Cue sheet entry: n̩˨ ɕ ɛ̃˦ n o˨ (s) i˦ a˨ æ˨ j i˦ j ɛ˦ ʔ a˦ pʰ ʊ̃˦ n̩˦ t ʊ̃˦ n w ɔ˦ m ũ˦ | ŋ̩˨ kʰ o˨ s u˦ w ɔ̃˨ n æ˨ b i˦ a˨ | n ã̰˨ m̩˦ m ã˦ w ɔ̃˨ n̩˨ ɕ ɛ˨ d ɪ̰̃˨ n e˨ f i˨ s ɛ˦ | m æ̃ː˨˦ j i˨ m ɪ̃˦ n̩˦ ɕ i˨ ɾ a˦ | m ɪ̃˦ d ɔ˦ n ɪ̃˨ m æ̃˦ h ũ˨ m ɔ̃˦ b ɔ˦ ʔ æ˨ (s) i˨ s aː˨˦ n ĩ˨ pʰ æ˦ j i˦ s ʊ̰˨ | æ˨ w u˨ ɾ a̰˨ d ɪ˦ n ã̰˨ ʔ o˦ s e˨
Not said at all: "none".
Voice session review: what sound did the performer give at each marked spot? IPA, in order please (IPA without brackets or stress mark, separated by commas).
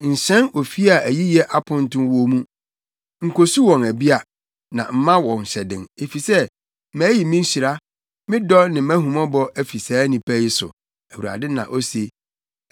f, f